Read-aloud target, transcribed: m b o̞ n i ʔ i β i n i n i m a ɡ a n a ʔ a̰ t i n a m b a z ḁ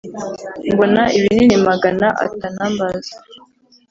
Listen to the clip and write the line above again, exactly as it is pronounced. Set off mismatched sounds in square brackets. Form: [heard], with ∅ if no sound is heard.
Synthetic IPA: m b o̞ n [a] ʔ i β i n i n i m a ɡ a n a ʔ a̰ t [a] n a m b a z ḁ